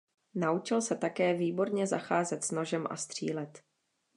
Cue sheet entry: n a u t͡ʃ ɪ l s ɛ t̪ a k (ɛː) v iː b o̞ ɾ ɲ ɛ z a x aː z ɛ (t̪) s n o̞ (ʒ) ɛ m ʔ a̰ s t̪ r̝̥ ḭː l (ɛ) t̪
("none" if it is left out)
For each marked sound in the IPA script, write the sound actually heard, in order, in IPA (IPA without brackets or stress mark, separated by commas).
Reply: ɛː, t̪, ʒ, ɛ